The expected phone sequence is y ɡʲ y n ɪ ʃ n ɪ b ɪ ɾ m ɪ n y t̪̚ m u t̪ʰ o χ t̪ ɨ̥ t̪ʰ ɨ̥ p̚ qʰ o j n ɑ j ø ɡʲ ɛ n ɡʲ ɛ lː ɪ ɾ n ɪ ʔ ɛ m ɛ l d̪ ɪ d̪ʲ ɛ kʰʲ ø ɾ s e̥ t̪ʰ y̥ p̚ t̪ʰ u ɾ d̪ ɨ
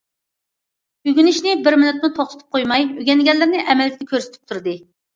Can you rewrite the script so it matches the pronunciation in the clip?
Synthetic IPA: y ɡʲ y n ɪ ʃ n ɪ b ɪ ɾ m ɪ n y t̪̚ m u t̪ʰ o χ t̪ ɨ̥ t̪ʰ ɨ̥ p̚ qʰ o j m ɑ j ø ɡʲ ɛ n ɡʲ ɛ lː ɪ ɾ n ɪ ʔ ɛ m ɛ l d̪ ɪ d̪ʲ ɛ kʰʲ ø ɾ s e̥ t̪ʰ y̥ p̚ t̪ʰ u ɾ d̪ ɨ